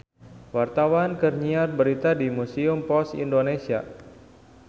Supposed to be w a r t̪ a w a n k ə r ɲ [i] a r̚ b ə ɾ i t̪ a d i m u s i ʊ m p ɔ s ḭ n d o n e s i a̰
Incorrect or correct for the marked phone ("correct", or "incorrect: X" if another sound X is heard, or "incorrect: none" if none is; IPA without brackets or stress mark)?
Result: correct